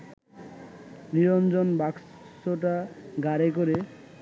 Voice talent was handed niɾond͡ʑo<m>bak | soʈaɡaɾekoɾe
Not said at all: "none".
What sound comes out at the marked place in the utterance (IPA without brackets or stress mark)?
n